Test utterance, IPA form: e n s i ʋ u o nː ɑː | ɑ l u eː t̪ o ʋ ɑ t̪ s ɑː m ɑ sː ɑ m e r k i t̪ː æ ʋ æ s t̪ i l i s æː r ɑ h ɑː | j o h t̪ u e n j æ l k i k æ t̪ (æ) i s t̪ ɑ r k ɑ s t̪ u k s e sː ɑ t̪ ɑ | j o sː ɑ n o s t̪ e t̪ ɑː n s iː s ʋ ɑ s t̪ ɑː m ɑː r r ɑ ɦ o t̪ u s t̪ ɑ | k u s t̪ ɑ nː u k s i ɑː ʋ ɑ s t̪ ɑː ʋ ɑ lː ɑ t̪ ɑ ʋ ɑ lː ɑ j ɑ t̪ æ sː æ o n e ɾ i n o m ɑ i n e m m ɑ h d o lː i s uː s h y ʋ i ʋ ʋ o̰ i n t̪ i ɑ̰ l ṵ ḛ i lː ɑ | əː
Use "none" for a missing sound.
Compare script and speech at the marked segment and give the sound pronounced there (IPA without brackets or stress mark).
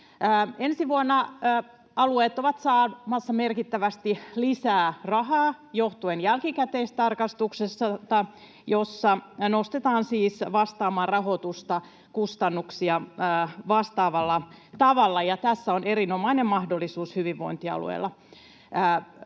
e